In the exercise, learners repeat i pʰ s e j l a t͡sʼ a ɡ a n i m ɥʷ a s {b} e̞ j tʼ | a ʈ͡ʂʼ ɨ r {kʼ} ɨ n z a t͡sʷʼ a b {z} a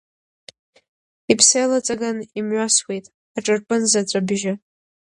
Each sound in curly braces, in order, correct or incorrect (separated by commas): incorrect, incorrect, incorrect